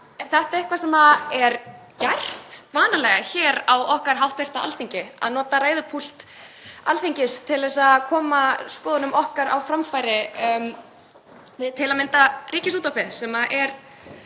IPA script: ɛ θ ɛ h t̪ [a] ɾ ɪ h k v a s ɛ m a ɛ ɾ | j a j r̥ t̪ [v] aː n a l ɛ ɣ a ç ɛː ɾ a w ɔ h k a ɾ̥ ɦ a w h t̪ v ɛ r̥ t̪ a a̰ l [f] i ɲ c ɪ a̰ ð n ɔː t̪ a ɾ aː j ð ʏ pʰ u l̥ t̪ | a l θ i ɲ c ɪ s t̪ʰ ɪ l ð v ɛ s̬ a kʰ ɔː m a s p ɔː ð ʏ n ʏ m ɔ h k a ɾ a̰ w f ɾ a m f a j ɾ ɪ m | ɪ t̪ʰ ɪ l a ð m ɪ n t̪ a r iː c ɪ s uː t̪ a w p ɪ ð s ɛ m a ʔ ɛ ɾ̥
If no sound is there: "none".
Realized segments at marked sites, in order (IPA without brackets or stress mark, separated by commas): a, v, θ